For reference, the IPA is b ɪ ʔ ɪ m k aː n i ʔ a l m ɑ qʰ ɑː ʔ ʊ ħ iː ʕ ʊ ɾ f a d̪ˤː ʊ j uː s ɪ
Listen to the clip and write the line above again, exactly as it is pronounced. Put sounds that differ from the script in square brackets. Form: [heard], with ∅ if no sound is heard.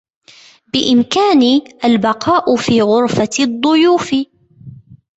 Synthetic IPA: b ɪ ʔ ɪ m k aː n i ʔ a l [b] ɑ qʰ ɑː ʔ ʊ [f] iː [ɣ] ʊ ɾ f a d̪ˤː ʊ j uː [f] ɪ